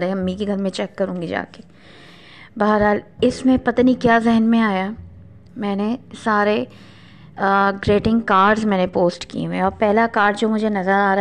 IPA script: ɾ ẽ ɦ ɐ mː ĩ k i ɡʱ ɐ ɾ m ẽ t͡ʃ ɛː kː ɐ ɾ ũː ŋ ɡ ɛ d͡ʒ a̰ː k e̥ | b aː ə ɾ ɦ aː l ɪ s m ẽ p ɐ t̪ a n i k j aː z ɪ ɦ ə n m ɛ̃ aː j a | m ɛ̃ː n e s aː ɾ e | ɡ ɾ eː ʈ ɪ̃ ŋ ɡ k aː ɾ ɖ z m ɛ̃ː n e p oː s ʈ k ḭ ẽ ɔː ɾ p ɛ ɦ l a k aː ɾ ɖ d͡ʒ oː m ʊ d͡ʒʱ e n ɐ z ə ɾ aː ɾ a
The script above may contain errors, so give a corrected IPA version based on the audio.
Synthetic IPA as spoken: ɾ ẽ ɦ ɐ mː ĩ k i ɡʱ ɐ ɾ m ẽ t͡ʃ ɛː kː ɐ ɾ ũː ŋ ɡ i d͡ʒ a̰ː k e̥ | b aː ə ɾ ɦ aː l ɪ s m ẽ p ɐ t̪ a n i k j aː z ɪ ɦ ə n m ẽ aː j a | m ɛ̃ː n e s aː ɾ e | ɡ ɾ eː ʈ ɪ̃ ŋ ɡ k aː ɾ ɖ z m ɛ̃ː n e p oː s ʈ k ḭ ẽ ɔː ɾ p ɛ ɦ l a k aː ɾ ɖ d͡ʒ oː m ʊ d͡ʒʱ e n ɐ z ə ɾ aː ɾ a